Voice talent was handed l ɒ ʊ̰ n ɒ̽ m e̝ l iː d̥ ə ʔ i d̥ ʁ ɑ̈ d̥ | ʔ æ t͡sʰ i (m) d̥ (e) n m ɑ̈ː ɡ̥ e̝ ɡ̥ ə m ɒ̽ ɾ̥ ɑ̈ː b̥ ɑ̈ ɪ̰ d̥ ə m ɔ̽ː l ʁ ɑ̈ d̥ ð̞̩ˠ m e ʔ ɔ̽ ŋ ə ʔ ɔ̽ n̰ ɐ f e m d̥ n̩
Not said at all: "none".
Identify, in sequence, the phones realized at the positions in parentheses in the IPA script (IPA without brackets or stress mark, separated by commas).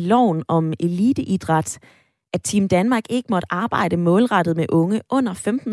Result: m, æ